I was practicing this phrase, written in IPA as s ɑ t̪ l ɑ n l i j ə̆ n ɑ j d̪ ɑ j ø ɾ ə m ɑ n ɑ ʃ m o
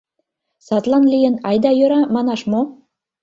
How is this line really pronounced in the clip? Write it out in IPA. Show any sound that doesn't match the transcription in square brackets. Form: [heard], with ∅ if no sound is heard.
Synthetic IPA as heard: s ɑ t̪ l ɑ n l i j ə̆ n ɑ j d̪ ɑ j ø ɾ [ɑ] m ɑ n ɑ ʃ m o

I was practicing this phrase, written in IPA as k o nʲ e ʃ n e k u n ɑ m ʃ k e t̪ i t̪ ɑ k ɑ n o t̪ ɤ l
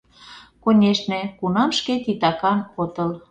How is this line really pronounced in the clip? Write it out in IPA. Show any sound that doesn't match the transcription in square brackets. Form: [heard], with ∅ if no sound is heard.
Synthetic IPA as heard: k o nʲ e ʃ n e k u n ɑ m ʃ k e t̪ i t̪ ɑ k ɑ n o t̪ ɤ l

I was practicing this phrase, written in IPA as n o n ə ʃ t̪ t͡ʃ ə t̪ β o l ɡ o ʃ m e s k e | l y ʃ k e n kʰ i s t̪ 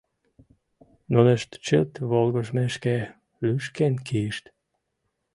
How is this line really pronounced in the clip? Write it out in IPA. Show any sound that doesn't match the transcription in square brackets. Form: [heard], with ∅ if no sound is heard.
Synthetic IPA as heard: n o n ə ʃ t̪ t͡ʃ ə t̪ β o l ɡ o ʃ m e [ʃ] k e | l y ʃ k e n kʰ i [ʃ] t̪

